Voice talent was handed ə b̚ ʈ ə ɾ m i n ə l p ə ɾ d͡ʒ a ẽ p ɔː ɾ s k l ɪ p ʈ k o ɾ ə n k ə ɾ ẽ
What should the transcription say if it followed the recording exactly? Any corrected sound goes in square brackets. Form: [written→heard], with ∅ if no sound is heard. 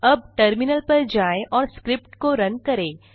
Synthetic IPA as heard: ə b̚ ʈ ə ɾ m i n ə l p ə ɾ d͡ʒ a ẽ [p→ʔ] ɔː ɾ s k [l→ɾ] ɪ p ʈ k o ɾ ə n k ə ɾ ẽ